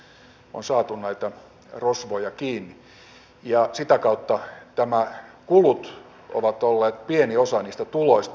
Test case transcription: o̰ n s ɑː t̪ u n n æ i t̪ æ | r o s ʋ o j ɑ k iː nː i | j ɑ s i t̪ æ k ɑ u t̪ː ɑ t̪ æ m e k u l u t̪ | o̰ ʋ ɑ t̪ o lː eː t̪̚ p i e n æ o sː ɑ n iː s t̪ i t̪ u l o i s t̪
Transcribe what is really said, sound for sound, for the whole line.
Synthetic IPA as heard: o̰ n s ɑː t̪ u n n æ i t̪ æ | r o s ʋ o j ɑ k iː nː i | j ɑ s i t̪ æ k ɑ u t̪ː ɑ t̪ æ m æ k u l u t̪ | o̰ ʋ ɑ t̪ o lː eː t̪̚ p i e n i o s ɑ n iː s t̪ æ t̪ u l o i s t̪